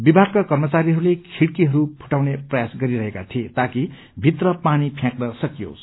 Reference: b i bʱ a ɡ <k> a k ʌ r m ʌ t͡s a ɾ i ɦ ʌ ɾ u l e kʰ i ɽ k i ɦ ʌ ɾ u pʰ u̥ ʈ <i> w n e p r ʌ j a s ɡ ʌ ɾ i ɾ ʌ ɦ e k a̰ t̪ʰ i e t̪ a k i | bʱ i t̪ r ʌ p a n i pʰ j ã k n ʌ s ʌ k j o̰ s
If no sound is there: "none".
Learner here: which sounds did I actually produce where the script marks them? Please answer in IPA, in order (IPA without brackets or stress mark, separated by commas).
k, a